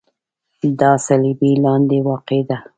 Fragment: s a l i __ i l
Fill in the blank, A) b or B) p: A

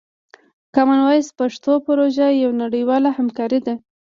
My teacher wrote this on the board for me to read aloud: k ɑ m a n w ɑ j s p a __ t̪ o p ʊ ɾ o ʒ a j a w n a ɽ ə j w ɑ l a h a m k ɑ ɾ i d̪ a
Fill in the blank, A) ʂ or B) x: A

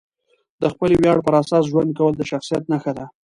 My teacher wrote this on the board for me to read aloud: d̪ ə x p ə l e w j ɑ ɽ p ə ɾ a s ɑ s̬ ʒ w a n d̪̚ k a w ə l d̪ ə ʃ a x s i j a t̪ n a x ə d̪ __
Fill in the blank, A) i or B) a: B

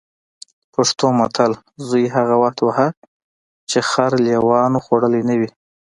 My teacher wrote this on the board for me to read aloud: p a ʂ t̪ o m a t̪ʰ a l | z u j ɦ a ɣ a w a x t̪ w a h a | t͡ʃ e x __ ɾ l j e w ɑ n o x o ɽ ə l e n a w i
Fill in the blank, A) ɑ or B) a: B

